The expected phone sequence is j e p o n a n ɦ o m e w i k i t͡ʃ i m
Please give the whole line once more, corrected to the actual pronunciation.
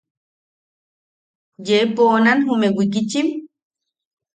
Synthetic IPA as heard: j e p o n a n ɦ u m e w i k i t͡ʃ i m